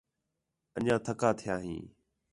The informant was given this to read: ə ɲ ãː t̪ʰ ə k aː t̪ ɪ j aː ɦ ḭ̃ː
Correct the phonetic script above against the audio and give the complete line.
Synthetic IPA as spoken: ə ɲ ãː t̪ʰ ə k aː t̪ʰ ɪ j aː ɦ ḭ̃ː